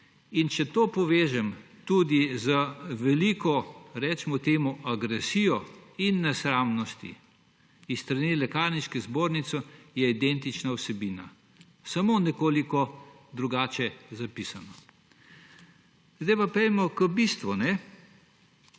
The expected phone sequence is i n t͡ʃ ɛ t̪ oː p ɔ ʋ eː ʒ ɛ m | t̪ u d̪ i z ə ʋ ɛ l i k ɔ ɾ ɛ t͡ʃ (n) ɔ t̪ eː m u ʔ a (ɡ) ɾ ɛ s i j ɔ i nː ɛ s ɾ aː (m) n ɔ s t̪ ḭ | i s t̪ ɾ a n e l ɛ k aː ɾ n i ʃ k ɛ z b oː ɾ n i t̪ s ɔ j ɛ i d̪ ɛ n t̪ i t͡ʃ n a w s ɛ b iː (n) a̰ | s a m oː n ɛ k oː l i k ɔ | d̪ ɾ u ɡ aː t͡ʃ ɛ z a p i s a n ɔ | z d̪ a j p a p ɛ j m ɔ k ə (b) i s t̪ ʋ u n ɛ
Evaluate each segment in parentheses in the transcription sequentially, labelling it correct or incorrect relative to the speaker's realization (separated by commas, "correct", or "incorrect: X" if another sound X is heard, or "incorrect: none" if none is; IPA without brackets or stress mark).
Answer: incorrect: m, correct, correct, correct, correct